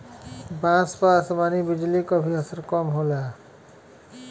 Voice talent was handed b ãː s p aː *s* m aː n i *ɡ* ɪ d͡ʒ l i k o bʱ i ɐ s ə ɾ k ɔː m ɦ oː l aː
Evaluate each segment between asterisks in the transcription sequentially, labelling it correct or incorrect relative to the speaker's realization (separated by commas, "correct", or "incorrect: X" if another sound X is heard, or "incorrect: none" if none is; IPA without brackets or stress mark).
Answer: correct, incorrect: b